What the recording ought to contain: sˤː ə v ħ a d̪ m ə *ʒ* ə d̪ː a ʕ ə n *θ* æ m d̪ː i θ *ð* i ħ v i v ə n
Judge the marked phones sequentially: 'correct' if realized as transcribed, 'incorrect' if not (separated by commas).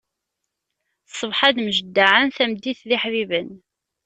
correct, correct, correct